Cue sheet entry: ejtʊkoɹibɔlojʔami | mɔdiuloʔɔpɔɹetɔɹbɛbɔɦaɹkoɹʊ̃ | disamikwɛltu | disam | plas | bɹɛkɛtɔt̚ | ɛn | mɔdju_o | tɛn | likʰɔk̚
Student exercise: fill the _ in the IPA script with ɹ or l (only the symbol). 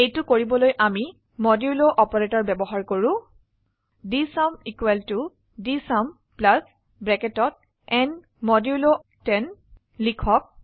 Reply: l